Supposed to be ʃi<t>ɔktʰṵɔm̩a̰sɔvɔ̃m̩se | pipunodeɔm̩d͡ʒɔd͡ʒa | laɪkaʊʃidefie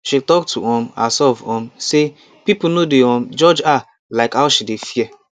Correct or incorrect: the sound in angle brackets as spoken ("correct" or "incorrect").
correct